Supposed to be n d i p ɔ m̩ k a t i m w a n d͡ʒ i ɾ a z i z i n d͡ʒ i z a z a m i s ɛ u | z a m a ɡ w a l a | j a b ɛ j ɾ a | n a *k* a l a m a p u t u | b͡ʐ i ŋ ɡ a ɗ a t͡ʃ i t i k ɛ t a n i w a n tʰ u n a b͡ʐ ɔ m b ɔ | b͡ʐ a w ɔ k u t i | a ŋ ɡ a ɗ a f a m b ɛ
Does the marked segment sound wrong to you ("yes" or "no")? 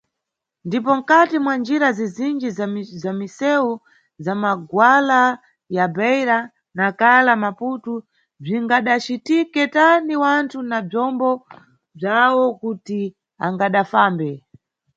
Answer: no